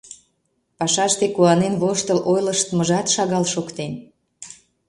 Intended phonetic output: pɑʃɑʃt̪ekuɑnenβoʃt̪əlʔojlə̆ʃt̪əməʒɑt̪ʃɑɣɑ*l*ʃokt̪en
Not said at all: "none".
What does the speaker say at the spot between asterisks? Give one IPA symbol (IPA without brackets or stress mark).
l